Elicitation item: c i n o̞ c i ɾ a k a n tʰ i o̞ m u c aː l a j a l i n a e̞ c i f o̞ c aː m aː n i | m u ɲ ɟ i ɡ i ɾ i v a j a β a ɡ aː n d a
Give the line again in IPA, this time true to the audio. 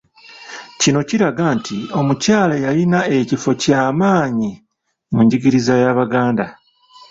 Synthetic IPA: c i n o̞ c i ɾ a ɡ a n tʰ i o̞ m u c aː l a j a l i n a e̞ c i f o̞ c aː m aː ɲ i | m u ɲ ɟ i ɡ i ɾ i z a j a β a ɡ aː n d a